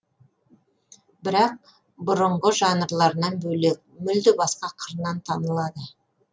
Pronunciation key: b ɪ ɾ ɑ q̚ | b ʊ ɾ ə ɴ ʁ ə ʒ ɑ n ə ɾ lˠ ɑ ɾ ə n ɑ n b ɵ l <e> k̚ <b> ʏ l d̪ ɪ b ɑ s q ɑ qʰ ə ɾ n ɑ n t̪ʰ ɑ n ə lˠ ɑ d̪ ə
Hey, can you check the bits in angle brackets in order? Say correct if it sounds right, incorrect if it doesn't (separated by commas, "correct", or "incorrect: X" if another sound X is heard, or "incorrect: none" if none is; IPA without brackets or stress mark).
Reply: correct, incorrect: m